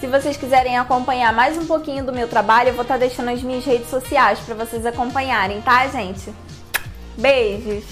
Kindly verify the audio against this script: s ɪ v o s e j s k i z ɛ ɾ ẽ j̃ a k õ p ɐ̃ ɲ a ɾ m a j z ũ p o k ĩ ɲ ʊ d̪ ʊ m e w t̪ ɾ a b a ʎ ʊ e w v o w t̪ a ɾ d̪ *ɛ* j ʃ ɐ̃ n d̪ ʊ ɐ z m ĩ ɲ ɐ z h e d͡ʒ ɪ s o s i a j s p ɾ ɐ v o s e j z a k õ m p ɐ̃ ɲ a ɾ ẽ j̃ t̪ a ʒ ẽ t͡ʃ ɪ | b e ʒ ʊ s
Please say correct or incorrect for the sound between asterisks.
incorrect